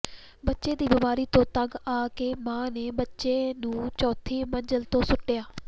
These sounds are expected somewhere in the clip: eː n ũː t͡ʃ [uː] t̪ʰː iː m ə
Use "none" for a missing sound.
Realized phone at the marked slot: ɔː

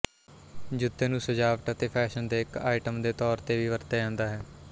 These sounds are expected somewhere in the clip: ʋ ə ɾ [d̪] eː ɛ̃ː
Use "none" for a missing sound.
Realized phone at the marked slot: t̪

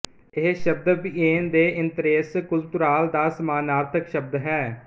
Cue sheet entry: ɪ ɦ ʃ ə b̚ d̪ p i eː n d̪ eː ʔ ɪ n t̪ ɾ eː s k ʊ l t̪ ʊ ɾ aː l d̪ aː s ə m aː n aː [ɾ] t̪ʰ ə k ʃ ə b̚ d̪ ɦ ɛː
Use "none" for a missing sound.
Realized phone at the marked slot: ɾ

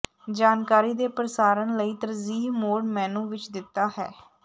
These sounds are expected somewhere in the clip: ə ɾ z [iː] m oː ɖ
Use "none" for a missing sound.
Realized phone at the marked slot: iː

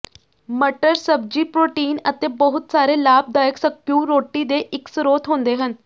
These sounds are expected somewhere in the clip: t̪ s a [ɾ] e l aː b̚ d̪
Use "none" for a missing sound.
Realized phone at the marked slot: ɾ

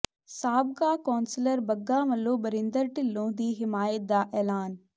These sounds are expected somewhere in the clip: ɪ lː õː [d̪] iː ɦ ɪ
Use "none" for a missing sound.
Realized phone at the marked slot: d̪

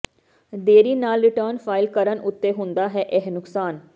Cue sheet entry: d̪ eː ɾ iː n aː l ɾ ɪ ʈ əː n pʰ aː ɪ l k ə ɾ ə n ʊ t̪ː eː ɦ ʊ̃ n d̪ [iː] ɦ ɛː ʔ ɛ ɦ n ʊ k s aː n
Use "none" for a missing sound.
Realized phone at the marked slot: aː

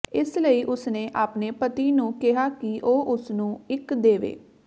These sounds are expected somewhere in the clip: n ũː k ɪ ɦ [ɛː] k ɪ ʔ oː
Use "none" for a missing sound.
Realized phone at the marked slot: aː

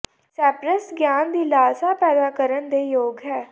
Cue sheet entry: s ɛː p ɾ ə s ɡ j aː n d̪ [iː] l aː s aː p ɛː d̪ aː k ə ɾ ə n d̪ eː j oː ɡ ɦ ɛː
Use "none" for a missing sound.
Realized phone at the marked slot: iː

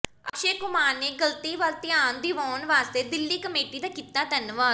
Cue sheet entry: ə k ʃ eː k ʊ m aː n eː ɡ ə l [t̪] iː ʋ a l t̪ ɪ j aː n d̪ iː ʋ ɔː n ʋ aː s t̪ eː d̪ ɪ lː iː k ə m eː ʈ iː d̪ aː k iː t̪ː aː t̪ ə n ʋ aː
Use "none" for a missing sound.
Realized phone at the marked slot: t̪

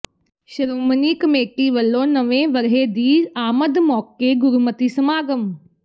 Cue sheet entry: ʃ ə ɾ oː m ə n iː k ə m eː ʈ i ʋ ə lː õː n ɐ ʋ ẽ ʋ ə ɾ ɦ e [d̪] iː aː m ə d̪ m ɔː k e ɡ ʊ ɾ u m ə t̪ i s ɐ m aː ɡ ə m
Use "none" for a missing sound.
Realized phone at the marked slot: d̪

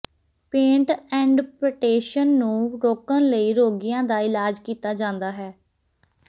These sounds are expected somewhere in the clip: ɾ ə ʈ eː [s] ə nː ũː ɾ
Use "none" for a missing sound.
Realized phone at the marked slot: ʃ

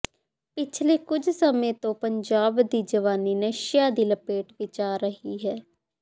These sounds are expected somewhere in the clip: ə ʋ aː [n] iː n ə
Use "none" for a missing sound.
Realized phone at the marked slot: n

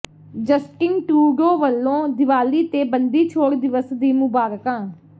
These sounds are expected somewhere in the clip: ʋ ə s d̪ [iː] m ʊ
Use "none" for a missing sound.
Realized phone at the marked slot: iː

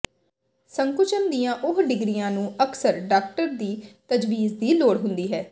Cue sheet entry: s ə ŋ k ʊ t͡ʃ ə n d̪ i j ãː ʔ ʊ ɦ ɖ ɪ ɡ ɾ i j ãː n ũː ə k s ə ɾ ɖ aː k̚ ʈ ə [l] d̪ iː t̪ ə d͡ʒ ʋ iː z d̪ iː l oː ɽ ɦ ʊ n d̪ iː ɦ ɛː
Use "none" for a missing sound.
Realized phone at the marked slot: ɾ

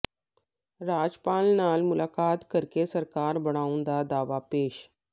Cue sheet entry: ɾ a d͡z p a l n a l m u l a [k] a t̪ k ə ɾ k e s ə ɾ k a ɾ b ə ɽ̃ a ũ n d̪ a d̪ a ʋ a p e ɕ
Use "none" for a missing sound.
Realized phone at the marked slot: k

